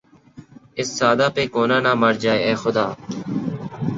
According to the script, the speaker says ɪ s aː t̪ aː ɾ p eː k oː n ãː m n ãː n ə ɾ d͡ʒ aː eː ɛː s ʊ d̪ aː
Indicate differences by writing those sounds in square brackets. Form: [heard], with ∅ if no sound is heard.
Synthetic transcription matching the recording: ɪ [sː] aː [d̪] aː [∅] p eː k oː n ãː [∅] n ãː [m] ə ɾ d͡ʒ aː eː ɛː [x] ʊ d̪ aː